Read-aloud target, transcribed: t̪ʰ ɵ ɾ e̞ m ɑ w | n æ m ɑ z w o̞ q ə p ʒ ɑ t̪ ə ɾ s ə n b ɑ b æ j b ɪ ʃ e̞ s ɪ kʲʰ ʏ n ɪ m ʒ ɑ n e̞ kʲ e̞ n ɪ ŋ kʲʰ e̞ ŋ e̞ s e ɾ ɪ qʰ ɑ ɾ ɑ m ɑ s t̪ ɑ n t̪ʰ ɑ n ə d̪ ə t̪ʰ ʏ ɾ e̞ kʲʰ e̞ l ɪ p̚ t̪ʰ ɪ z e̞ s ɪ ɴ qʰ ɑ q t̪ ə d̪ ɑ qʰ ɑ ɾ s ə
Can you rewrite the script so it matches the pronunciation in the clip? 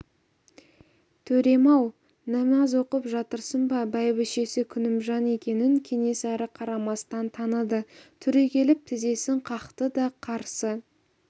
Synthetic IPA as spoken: t̪ʰ ɵ ɾ e̞ m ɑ w | n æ m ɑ z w o̞ q ə p ʒ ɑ t̪ ə ɾ s ə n b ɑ b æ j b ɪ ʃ e̞ s ɪ kʲʰ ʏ n ɪ m ʒ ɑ n e̞ kʲ e̞ n ɪ ŋ kʲʰ e̞ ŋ e̞ s æ ɾ ɪ qʰ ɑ ɾ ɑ m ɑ s t̪ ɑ n t̪ʰ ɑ n ə d̪ ə t̪ʰ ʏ ɾ e̞ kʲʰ e̞ l ɪ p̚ t̪ʰ ɪ z e̞ s ɪ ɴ qʰ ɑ q t̪ ə d̪ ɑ qʰ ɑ ɾ s ə